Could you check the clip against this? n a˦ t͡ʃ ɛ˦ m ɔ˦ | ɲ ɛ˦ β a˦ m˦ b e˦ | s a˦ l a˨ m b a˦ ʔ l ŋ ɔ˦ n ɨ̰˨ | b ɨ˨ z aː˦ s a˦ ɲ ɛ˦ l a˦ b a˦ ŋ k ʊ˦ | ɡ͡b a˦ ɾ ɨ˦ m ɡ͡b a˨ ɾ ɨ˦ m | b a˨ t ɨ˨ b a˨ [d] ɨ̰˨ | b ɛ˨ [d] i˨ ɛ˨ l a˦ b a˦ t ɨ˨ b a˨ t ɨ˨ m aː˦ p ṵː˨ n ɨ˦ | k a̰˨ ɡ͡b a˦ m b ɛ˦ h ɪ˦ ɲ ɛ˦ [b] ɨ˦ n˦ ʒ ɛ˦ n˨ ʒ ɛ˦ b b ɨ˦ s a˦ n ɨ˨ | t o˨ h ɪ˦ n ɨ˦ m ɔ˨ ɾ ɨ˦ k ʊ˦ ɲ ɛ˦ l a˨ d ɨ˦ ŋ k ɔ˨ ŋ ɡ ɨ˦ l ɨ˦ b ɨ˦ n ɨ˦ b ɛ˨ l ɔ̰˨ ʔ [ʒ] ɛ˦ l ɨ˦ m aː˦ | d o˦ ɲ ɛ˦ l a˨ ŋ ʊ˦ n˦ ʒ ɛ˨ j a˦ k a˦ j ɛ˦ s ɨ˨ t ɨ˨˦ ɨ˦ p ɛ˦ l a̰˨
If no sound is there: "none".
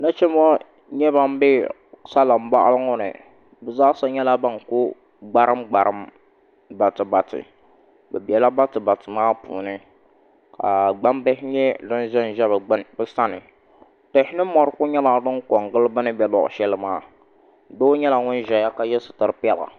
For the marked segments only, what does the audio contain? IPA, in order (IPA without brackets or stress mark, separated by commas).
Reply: t, b, d, ʃ